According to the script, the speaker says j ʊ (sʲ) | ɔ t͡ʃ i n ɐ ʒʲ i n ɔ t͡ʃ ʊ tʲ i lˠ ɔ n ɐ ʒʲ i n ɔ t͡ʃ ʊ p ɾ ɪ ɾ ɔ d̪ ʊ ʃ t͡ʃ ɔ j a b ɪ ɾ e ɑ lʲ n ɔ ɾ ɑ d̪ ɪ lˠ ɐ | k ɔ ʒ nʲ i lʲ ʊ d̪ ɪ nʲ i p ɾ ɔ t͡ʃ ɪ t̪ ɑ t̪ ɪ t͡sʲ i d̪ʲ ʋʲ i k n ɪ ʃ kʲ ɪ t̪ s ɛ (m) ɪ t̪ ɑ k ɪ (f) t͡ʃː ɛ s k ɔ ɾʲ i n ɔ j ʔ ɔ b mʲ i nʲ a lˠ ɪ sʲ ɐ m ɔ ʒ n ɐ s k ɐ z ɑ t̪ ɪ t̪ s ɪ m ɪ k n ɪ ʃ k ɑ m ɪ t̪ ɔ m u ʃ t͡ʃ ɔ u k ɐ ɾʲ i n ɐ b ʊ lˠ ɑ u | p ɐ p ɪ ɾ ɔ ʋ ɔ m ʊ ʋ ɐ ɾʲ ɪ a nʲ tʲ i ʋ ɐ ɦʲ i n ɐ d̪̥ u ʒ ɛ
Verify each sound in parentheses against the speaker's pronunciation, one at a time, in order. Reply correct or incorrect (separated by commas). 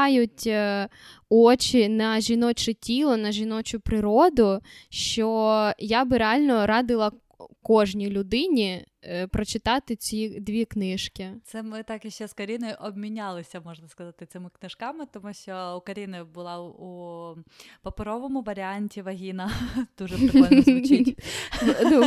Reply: incorrect, correct, incorrect